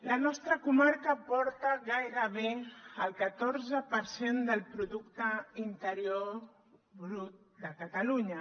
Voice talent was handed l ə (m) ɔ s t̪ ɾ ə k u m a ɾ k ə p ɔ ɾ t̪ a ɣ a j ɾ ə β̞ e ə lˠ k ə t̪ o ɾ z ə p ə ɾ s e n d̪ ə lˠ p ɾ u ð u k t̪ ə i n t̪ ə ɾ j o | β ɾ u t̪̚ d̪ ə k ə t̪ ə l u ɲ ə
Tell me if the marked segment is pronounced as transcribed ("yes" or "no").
no